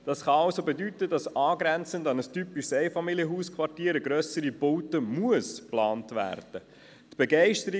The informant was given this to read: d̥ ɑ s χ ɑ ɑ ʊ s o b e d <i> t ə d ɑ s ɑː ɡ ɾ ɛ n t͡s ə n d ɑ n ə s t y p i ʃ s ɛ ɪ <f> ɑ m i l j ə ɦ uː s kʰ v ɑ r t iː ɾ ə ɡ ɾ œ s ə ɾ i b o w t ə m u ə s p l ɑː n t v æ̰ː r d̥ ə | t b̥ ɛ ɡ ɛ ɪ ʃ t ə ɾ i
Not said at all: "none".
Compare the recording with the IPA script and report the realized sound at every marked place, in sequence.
y, f

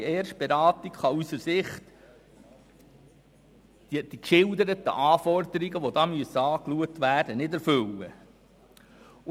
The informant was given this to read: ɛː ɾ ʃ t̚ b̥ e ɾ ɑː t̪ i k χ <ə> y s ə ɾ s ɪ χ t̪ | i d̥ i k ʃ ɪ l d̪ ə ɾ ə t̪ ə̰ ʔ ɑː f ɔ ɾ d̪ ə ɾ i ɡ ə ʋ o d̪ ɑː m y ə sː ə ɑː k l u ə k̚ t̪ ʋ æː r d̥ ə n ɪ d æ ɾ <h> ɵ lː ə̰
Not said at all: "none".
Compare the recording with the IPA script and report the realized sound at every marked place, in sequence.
ɑ, f

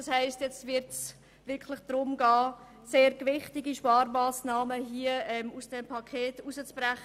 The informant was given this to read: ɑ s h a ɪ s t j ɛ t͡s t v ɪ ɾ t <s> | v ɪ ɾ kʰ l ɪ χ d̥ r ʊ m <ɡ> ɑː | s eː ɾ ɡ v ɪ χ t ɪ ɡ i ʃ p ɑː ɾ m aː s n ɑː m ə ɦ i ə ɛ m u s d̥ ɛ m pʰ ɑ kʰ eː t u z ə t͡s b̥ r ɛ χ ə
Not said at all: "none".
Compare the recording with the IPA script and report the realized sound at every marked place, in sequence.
s, ɡ

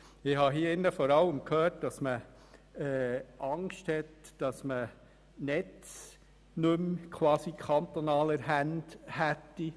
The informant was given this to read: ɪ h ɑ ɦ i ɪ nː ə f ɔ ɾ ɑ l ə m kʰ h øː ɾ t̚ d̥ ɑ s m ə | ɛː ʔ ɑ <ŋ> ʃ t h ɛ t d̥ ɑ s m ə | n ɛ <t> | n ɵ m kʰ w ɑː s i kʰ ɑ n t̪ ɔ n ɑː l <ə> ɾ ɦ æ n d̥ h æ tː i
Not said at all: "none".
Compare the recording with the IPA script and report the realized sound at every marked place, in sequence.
ŋ, t͡s, ə

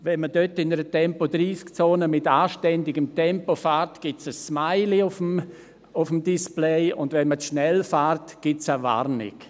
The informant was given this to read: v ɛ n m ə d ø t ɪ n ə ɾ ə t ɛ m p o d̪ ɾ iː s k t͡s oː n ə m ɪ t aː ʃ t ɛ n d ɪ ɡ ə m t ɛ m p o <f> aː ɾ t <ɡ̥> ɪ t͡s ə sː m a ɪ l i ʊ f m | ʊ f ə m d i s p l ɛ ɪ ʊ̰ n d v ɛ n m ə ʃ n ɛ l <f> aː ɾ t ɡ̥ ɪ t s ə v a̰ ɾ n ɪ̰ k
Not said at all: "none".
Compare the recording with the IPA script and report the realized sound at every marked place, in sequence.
f, ɡ̥, f

